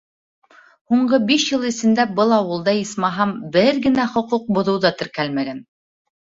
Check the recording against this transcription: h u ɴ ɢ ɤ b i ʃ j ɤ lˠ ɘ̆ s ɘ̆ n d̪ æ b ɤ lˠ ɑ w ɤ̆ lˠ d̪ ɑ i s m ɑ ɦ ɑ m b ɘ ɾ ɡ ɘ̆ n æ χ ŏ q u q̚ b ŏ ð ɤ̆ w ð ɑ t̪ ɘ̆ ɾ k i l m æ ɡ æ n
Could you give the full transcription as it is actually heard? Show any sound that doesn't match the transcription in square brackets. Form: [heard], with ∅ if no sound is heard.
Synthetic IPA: h u ɴ ɢ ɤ b i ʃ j ɤ lˠ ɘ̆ s ɘ̆ n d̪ æ b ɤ lˠ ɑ w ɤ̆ lˠ d̪ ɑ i s m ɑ ɦ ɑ m b ɘ ɾ ɡ ɘ̆ n æ χ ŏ q u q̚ b ŏ ð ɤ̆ w ð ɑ t̪ ɘ̆ ɾ k [æ] l m æ ɡ æ n